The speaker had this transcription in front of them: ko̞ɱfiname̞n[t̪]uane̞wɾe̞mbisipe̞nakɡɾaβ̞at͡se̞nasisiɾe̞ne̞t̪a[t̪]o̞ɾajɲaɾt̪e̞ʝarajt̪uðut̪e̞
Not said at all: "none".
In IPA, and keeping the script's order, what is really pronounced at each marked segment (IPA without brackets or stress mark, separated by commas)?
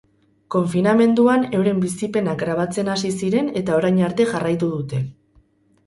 d̪, none